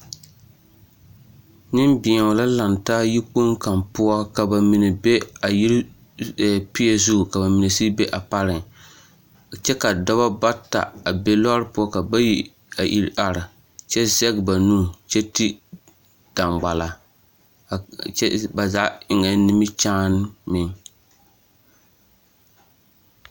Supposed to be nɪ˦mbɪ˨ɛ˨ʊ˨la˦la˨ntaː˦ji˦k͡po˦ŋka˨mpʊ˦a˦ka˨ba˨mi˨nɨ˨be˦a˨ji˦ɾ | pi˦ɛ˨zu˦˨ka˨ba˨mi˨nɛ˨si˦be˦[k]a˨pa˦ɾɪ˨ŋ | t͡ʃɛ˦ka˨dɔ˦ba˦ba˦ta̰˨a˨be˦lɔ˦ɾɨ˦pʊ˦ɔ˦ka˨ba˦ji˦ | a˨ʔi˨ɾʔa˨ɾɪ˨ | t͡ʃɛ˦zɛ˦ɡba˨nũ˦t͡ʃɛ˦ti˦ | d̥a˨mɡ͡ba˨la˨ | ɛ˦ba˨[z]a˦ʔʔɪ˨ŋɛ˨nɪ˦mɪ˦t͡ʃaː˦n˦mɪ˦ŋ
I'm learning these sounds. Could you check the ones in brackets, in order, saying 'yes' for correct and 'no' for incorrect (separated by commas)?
no, yes